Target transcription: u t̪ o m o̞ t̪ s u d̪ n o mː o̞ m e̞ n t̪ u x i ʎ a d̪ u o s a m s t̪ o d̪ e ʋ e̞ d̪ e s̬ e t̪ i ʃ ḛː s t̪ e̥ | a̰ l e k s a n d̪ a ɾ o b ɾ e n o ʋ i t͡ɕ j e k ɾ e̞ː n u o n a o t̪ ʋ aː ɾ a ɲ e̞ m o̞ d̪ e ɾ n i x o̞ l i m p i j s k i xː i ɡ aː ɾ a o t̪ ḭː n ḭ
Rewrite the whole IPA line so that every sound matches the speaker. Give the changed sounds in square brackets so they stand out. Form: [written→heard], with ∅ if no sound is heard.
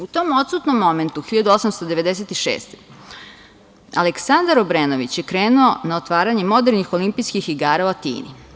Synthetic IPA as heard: u t̪ o m o̞ t̪ s u [d̪→t̪] n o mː o̞ m e̞ n t̪ u x i ʎ a d̪ u o s a m s t̪ o d̪ e ʋ e̞ d̪ e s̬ e t̪ i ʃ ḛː s t̪ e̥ | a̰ l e k s a n d̪ a ɾ o b ɾ e n o ʋ i t͡ɕ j e k ɾ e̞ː n u o n a o t̪ ʋ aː ɾ a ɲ e̞ m o̞ d̪ e ɾ n i x o̞ l i m p i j s k i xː i ɡ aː ɾ a o t̪ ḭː n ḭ